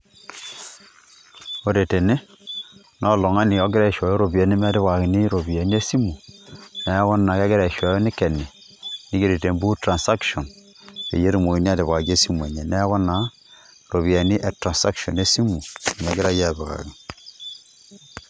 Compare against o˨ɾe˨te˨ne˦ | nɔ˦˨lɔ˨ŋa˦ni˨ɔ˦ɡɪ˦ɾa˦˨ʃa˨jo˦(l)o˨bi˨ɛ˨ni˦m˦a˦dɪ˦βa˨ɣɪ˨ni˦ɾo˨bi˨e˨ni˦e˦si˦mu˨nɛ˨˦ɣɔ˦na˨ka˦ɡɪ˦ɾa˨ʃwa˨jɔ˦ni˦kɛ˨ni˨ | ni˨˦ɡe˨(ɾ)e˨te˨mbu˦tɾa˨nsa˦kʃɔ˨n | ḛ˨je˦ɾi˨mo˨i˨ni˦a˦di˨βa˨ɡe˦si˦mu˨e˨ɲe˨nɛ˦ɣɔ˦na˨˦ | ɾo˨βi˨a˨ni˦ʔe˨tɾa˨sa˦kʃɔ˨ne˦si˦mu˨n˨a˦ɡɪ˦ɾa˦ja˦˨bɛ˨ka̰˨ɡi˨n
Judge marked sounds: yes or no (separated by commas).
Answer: no, yes